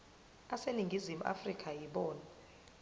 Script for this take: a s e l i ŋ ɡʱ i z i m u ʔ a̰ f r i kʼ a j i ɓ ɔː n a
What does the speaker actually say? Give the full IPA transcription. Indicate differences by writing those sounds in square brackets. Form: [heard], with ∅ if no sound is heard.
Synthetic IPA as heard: a s e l i ŋ ɡʱ i z i m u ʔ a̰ f r i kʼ a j i ɓ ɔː n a